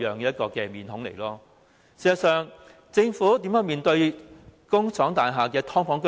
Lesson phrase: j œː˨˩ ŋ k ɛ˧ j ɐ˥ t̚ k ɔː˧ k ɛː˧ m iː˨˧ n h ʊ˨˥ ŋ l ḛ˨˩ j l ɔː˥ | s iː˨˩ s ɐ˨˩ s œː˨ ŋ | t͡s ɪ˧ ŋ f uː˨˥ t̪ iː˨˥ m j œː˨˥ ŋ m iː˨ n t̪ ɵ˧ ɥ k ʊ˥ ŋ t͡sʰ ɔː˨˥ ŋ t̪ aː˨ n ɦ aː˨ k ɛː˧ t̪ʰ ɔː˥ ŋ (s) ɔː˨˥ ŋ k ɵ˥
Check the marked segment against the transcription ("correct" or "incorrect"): incorrect